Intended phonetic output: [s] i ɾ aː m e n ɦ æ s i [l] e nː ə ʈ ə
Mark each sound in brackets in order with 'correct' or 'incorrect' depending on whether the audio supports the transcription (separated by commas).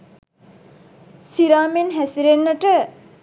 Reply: correct, incorrect